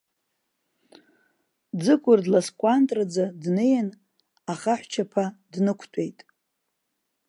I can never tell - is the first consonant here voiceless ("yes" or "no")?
no